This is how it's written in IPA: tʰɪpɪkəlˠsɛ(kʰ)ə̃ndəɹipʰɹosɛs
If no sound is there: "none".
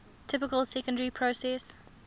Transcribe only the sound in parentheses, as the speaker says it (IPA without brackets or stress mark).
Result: k